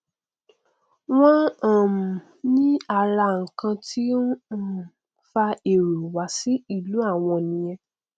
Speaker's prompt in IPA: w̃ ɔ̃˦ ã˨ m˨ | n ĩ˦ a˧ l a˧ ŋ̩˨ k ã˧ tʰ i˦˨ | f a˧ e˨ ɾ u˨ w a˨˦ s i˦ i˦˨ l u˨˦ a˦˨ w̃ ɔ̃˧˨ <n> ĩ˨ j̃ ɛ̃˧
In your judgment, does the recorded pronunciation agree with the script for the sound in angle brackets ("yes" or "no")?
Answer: yes